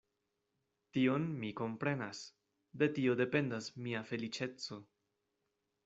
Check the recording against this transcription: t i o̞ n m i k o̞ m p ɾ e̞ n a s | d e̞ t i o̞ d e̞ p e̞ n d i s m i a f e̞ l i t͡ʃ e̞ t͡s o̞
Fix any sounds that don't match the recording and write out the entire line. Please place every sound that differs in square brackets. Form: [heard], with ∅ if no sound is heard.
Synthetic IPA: t i o̞ n m i k o̞ m p ɾ e̞ n a s | d e̞ t i o̞ d e̞ p e̞ n d [a] s m i a f e̞ l i t͡ʃ e̞ t͡s o̞